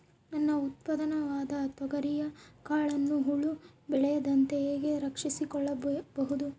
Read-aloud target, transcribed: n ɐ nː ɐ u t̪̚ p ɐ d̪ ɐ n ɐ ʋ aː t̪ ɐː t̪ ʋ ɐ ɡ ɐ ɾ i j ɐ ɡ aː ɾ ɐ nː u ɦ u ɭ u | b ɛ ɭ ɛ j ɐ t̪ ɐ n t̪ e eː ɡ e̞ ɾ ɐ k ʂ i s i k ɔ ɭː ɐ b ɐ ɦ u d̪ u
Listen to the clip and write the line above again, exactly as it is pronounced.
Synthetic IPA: n ɐ nː ɐ u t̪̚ p ɐ d̪ ɐ n ɐ ʋ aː d̪ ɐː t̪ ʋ ɐ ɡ ɐ ɾ i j ɐ k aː ɭ ɐ nː u ɦ u ɭ u | b ɛ ɭ ɛ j ɐ d̪ ɐ n t̪ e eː ɡ e̞ ɾ ɐ k ʂ i s i k ɔ ɭː ɐ b ɐ ɦ u d̪ u